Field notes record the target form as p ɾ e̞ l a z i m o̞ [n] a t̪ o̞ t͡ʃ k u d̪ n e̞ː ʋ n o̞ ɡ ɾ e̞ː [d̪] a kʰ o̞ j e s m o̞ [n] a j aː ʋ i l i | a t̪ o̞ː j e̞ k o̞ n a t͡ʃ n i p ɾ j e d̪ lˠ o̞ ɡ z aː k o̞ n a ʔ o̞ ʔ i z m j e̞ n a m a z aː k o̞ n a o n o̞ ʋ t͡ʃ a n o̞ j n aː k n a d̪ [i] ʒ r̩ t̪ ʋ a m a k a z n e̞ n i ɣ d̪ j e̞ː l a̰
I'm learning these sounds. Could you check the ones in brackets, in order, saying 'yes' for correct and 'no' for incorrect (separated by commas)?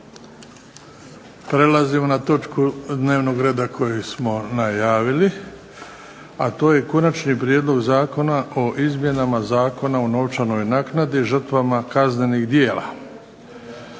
yes, yes, yes, yes